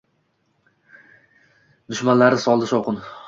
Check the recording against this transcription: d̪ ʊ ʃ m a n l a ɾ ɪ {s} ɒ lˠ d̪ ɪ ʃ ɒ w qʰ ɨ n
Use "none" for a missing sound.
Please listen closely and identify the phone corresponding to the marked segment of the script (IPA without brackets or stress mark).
s